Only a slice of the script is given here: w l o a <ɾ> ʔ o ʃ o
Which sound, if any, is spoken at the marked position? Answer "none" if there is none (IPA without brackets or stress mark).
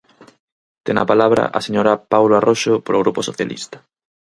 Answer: r